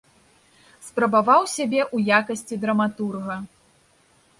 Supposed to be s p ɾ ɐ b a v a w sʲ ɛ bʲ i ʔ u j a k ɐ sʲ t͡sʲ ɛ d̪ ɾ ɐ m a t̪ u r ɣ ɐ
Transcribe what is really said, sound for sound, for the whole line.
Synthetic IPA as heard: s p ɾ ɐ b a v a w sʲ a bʲ ɛ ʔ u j a k ɐ sʲ t͡sʲ i d̪ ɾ ɐ m a t̪ u r ɣ ɐ